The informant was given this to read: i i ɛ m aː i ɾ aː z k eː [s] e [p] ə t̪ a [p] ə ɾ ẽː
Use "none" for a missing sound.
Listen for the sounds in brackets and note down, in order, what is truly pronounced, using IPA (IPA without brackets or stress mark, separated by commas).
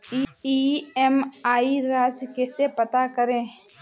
s, p, k